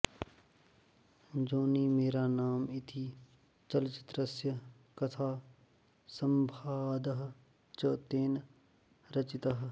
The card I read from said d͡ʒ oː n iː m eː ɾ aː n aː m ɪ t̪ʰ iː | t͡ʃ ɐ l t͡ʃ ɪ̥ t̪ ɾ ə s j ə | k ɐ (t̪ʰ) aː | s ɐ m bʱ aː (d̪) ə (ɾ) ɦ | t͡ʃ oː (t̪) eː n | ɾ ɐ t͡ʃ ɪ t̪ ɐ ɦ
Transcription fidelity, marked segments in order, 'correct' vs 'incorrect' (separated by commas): correct, correct, incorrect, correct